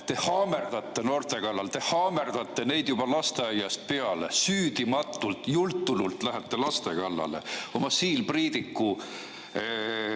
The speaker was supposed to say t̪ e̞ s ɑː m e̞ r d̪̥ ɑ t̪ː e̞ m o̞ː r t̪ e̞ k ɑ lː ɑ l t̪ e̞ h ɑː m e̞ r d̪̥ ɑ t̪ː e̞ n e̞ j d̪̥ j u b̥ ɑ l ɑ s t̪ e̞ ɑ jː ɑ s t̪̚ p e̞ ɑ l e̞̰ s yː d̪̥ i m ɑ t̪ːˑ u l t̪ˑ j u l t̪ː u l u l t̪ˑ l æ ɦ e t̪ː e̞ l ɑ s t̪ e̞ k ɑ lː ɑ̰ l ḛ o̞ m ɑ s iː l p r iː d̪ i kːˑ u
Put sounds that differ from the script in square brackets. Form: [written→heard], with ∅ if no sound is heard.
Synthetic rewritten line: t̪ e̞ [s→h] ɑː m e̞ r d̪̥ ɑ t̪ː e̞ [m→n] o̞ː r t̪ e̞ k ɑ lː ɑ l t̪ e̞ h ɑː m e̞ r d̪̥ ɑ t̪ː e̞ n e̞ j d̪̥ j u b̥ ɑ l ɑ s t̪ e̞ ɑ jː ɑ s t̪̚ p e̞ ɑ l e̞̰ s yː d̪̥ i m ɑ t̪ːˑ u l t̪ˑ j u l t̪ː u l u l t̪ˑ l æ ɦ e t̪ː e̞ l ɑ s t̪ e̞ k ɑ lː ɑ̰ l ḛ o̞ m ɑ s iː l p r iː d̪ i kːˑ u